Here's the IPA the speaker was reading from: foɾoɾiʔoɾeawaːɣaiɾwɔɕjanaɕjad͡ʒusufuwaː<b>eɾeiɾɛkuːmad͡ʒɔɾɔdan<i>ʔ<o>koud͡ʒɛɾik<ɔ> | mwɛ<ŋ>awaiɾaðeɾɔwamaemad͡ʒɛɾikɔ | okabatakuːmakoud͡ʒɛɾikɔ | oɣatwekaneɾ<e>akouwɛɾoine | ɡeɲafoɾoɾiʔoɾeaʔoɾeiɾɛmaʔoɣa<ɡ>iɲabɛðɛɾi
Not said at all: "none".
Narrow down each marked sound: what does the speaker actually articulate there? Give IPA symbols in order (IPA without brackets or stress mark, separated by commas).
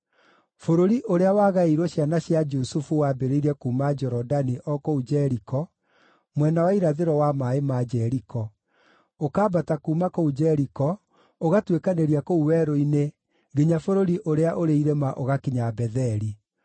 b, i, ɔ, ɔ, n, i, k